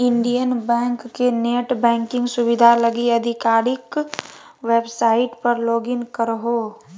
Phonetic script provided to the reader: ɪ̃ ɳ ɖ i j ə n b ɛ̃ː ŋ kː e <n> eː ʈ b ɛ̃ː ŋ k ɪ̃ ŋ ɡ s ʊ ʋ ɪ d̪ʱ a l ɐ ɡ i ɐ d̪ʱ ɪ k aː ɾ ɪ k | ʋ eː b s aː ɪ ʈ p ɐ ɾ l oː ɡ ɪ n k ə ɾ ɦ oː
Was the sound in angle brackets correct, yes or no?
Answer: yes